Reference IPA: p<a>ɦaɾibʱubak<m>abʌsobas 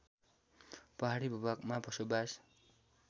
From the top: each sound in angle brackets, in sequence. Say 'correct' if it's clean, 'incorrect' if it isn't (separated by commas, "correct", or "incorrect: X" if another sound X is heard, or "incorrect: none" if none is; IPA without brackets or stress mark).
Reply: incorrect: ʌ, correct